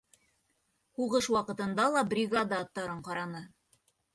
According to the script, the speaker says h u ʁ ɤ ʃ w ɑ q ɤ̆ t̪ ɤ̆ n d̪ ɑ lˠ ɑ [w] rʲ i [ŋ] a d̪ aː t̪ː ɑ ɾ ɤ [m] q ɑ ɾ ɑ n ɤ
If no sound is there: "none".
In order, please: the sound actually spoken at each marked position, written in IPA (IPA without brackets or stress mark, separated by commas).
b, ɡ, ɴ